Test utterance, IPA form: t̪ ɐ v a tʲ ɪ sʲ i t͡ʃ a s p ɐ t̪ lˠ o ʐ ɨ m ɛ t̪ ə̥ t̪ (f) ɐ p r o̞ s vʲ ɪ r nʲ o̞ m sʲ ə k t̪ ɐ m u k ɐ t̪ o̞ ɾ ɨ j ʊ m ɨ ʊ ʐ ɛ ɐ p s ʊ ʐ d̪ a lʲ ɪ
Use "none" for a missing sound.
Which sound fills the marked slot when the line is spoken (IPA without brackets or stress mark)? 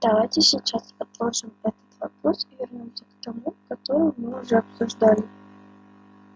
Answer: v